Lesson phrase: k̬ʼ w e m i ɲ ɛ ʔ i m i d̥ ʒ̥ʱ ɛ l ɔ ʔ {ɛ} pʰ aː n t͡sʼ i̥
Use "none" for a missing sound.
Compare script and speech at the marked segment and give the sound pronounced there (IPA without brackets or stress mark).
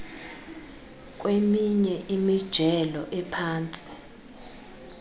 ɛ